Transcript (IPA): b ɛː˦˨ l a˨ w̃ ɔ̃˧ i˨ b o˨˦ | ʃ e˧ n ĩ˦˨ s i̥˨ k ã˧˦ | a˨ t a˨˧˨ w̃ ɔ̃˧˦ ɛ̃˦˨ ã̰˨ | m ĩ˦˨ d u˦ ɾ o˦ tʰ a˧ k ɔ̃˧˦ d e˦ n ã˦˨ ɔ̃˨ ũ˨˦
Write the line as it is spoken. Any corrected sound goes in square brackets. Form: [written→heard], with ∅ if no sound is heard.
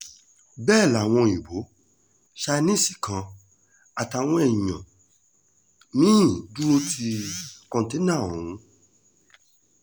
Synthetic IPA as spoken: b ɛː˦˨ l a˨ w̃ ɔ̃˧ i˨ b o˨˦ | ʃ [e˧→a˧] n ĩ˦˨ s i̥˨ k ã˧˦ | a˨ t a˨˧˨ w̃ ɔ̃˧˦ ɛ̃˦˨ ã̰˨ | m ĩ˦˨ d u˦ ɾ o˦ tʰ [a˧→i˧] k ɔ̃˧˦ [d→t] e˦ n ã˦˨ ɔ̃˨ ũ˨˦